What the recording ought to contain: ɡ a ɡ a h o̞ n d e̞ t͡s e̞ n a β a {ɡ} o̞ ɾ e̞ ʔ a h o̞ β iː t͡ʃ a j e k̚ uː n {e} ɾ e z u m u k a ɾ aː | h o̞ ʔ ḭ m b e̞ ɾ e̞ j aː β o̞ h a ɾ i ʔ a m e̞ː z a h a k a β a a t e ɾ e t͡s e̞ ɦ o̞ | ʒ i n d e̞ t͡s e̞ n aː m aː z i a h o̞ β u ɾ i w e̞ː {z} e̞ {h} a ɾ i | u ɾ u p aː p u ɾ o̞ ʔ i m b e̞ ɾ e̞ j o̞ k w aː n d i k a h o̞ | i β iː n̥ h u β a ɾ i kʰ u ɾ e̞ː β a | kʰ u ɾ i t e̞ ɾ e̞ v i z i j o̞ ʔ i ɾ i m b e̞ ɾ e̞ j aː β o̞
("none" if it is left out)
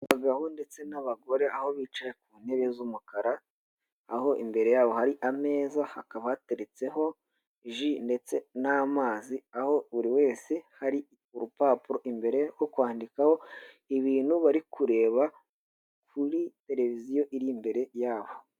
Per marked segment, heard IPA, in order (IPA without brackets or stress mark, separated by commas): ɡ, e, s, h